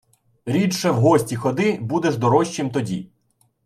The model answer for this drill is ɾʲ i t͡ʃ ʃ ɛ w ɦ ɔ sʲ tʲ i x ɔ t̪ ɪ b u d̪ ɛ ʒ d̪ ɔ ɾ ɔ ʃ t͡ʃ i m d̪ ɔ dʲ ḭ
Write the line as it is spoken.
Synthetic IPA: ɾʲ i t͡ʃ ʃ ɛ w ɦ ɔ sʲ tʲ i x ɔ d̪ ɪ b u d̪ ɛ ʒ d̪ ɔ ɾ ɔ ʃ t͡ʃ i m t̪ ɔ dʲ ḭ